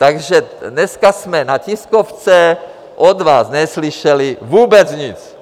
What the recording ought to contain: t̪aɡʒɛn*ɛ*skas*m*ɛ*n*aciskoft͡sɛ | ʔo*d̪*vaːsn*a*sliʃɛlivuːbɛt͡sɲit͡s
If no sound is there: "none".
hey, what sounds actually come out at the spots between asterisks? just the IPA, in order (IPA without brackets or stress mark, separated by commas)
ɛ, m, n, d̪, ɛ